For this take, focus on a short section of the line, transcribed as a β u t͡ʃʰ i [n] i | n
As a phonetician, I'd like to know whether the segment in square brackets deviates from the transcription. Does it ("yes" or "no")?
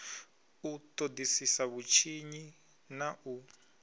yes